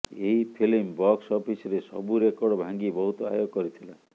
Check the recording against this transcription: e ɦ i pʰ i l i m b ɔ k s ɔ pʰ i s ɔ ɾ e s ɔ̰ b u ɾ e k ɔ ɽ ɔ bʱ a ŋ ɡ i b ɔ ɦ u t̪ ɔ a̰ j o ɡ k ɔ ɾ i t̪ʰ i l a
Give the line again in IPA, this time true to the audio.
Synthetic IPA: e ɦ i pʰ i l i m b ɔ k s ɔ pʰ i s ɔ ɾ e s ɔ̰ b u ɾ e k ɔ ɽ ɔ bʱ a ŋ ɡ i b ɔ ɦ u t̪ ɔ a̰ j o ɡ k ɔ ɾ i t̪ʰ i l a